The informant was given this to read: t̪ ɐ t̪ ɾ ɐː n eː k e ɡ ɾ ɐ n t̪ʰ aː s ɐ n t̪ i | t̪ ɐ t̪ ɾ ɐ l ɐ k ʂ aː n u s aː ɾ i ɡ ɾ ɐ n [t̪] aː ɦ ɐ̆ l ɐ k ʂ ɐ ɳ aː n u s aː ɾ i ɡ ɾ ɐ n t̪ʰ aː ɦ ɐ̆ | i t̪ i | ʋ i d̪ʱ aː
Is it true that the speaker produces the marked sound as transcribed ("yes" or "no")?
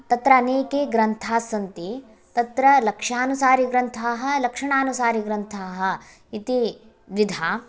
no